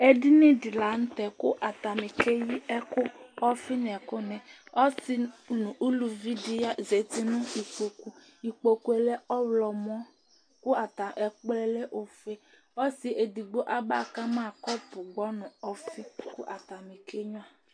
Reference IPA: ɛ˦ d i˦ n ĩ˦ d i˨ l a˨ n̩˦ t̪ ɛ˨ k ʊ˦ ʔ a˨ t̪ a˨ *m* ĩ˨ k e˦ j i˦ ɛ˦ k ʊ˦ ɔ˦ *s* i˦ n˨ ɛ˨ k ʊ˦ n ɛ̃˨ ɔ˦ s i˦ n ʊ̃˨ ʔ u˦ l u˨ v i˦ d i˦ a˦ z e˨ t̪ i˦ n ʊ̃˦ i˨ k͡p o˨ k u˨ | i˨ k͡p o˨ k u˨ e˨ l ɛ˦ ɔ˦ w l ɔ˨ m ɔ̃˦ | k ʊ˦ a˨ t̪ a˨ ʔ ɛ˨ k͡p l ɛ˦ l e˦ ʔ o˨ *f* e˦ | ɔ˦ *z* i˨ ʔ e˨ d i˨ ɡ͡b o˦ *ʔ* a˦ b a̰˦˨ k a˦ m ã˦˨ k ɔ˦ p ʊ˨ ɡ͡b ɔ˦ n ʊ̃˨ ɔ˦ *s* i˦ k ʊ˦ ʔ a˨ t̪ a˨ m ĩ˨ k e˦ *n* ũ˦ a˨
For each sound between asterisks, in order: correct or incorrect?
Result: correct, incorrect, correct, incorrect, correct, incorrect, incorrect

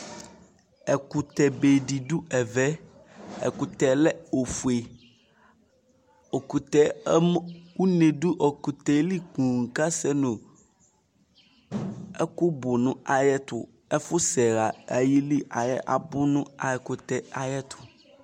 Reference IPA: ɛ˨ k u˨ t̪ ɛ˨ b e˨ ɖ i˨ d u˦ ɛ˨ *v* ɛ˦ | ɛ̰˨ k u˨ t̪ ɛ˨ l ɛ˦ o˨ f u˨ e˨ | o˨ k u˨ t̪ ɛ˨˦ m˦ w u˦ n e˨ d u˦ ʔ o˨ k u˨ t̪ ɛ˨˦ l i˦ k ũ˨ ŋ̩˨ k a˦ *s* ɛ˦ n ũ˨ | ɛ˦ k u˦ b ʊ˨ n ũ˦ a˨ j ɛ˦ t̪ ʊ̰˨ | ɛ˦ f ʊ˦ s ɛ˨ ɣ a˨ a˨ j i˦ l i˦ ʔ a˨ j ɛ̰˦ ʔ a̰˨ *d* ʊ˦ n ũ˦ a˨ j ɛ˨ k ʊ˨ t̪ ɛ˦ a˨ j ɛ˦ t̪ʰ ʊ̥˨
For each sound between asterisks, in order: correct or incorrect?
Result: correct, correct, incorrect

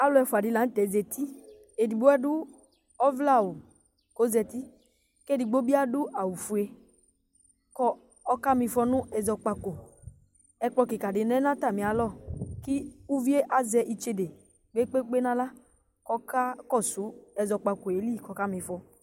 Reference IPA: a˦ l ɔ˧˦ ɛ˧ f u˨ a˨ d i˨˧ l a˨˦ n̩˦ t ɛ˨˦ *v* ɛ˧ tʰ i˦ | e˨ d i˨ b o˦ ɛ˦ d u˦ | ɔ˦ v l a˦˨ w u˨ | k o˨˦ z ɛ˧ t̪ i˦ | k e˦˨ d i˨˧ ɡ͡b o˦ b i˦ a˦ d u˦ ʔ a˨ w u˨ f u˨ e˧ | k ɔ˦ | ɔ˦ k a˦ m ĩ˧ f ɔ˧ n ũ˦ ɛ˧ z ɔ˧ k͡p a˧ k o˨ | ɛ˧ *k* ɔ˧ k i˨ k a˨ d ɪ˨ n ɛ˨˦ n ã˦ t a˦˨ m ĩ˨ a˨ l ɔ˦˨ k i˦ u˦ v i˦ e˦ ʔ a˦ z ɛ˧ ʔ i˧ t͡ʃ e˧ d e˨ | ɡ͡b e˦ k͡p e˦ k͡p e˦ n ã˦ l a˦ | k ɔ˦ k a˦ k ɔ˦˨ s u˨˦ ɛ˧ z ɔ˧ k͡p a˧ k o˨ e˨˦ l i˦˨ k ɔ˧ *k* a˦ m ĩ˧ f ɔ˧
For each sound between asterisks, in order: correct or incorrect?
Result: incorrect, incorrect, correct

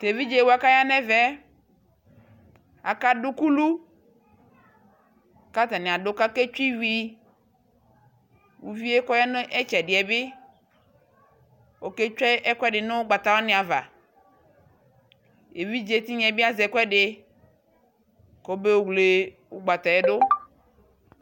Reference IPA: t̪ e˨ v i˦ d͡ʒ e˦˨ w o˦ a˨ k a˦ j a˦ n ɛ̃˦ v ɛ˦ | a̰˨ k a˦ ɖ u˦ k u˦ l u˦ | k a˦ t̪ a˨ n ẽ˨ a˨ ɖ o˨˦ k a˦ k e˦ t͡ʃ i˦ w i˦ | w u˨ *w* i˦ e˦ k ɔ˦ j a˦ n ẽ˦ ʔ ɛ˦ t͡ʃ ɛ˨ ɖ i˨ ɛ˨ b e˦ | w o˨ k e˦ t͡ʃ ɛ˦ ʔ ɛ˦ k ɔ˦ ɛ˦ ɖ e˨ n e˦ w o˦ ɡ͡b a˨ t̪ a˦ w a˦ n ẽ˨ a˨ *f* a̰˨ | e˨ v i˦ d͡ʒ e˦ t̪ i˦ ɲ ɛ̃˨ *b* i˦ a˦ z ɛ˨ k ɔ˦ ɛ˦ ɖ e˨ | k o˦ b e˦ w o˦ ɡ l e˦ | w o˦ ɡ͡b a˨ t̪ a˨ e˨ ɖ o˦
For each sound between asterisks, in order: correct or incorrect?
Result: incorrect, incorrect, correct

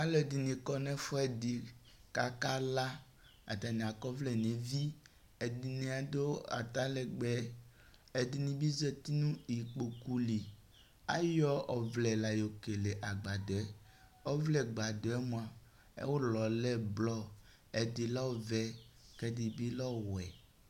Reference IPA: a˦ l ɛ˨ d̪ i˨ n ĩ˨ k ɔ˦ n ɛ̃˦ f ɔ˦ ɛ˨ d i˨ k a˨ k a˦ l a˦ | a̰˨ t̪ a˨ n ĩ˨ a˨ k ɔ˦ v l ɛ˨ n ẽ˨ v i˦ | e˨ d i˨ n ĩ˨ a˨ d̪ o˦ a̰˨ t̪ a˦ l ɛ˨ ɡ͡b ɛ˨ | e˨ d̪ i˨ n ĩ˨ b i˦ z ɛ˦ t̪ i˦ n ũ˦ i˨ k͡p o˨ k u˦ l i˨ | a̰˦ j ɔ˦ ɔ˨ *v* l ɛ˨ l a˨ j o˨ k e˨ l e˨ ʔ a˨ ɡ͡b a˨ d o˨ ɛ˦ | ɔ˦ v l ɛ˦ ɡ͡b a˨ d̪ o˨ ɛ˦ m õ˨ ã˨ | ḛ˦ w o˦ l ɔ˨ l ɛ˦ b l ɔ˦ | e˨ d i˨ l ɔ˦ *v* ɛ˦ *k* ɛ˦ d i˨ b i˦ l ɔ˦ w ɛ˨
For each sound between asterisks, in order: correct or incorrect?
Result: correct, correct, correct

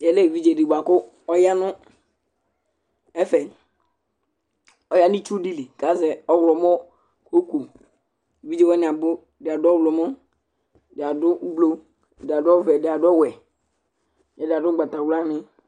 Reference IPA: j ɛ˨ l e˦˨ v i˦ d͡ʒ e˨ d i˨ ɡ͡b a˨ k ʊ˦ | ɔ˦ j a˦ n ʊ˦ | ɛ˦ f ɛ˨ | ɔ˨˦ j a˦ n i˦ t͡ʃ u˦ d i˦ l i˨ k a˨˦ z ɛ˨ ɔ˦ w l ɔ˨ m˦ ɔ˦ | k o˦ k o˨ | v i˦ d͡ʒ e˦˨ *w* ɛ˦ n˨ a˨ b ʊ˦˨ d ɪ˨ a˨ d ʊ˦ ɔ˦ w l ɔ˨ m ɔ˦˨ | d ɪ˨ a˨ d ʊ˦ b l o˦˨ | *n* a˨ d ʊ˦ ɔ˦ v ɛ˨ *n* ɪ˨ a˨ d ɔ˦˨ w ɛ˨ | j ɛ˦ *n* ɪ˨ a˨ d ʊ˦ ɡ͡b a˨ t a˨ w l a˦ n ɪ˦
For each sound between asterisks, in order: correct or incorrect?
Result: correct, incorrect, incorrect, incorrect

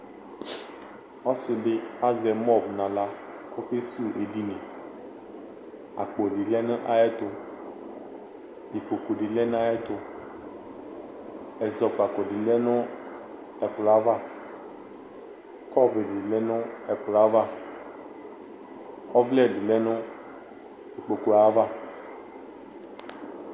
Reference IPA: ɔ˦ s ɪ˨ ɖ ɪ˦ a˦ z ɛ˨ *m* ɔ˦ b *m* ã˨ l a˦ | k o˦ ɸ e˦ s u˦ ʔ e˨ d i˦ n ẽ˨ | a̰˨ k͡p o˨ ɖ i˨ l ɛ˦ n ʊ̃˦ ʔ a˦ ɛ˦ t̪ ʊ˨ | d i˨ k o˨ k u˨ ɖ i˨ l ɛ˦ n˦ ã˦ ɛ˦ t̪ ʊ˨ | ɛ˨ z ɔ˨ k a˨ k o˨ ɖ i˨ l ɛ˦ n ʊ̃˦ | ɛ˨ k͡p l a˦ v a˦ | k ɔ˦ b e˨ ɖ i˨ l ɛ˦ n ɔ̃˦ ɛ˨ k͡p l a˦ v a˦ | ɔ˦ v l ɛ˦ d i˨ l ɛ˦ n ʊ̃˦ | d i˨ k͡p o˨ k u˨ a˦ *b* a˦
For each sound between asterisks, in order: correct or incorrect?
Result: correct, incorrect, incorrect

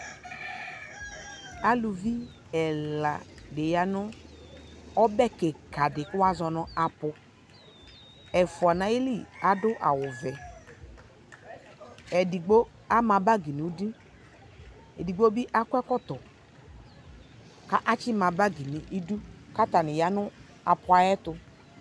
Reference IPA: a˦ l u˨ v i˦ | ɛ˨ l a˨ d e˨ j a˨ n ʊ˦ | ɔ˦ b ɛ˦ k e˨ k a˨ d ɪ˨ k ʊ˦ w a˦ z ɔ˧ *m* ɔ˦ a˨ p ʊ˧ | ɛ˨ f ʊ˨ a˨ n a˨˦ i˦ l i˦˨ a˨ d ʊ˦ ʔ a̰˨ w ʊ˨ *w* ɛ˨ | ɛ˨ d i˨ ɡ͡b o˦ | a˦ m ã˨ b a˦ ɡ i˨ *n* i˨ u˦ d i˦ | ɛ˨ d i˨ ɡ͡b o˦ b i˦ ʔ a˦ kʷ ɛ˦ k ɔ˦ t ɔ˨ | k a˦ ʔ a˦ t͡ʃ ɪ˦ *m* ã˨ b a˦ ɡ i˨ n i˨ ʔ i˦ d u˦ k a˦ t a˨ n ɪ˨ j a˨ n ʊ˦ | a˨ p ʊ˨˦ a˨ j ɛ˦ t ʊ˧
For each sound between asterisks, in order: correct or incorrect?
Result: incorrect, incorrect, correct, correct

